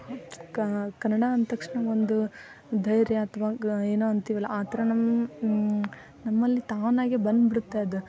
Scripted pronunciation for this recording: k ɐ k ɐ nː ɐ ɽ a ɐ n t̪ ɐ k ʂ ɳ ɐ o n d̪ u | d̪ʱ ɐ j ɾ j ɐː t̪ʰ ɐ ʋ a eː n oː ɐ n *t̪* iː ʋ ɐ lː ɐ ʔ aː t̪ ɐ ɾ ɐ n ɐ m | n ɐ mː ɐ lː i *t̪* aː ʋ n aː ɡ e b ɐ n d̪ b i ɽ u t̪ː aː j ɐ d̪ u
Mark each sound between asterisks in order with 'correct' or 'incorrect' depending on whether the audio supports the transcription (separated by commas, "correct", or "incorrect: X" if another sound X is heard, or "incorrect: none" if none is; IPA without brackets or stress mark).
correct, correct